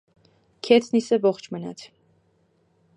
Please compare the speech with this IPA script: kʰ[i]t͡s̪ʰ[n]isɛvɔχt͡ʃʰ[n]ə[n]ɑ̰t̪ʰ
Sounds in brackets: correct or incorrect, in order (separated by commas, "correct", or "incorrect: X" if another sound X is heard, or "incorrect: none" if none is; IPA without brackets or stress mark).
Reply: incorrect: ɛ, correct, incorrect: m, correct